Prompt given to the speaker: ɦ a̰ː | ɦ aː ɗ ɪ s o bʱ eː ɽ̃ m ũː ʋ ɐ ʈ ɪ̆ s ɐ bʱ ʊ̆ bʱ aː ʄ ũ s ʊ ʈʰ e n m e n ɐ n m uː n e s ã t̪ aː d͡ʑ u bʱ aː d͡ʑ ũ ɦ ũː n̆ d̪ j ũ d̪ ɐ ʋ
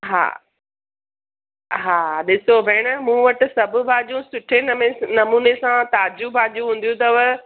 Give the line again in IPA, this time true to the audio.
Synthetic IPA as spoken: ɦ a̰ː | ɦ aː ɗ ɪ s o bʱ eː ɽ̃ m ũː ʋ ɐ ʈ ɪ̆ s ɐ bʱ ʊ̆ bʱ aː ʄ ũ s ʊ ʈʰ e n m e n ɐ m uː n e s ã t̪ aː d͡ʑ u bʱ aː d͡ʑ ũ ɦ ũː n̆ d̪ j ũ t̪ ɐ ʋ